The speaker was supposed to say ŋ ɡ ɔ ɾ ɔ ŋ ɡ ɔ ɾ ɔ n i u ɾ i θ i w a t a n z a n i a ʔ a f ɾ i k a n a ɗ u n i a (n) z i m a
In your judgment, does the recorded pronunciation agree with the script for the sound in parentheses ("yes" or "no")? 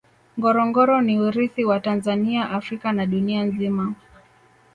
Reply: yes